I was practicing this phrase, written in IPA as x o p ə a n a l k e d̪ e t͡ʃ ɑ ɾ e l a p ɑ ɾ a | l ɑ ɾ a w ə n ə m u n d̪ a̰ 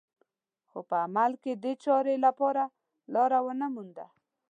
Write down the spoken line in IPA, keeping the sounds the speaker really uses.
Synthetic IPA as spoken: x o p ə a m a l k e d̪ e t͡ʃ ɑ ɾ e l a p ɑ ɾ a | l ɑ ɾ a w ə n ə m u n d̪ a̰